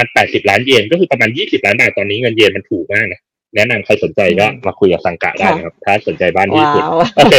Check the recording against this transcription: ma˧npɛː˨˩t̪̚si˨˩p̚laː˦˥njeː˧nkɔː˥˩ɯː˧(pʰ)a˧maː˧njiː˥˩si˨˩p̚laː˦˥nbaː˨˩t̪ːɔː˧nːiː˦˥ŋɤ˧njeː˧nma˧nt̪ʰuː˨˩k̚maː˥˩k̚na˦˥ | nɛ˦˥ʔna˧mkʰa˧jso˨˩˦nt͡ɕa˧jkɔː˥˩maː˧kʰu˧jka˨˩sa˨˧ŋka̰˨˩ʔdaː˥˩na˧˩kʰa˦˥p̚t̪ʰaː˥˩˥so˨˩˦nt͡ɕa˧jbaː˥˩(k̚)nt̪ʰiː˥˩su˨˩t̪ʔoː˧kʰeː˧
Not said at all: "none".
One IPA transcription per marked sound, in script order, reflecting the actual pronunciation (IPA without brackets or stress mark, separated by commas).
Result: p, none